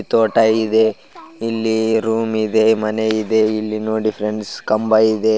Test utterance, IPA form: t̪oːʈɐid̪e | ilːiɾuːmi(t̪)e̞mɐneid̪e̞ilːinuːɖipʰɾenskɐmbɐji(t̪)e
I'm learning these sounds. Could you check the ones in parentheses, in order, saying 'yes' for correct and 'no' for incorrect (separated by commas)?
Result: no, no